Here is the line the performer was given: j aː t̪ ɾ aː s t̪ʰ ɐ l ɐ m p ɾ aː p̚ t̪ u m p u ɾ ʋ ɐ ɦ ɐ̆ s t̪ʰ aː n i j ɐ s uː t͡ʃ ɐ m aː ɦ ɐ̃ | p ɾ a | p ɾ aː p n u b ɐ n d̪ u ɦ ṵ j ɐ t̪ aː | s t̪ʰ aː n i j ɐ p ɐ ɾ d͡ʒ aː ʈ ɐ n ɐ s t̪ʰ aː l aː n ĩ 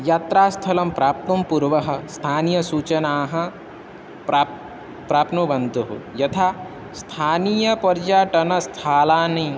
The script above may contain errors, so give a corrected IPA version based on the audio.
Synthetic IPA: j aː t̪ ɾ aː s t̪ʰ ɐ l ɐ m p ɾ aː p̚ t̪ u m p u ɾ ʋ ɐ ɦ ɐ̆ s t̪ʰ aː n i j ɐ s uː t͡ʃ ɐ n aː ɦ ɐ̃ | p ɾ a | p ɾ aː p n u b ɐ n d̪ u ɦ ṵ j ɐ t̪ʰ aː | s t̪ʰ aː n i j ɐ p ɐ ɾ d͡ʒ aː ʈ ɐ n ɐ s t̪ʰ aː l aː n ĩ